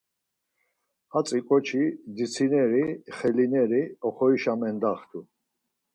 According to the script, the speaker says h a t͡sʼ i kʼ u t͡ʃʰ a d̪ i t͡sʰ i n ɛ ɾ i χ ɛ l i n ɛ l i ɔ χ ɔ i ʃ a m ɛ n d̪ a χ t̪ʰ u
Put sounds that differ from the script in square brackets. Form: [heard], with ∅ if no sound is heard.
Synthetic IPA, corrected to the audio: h a t͡sʼ i kʼ [ɔ] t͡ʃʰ [i] d̪ i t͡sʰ i n ɛ ɾ i χ ɛ l i n ɛ [ɾ] i ɔ χ ɔ i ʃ a m ɛ n d̪ a χ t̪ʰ u